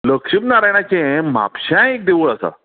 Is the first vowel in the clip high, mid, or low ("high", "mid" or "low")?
mid